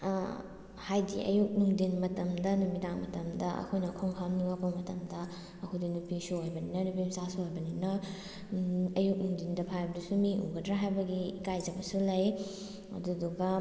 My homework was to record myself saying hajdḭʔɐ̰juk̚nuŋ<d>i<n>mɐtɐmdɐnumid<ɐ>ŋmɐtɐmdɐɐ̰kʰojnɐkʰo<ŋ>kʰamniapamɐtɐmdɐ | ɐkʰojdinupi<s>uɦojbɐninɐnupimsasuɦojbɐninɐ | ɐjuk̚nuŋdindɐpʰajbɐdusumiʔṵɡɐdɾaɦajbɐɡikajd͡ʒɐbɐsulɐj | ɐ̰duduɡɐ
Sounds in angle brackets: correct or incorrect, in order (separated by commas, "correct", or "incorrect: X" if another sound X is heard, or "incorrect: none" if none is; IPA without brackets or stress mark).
correct, correct, incorrect: a, correct, correct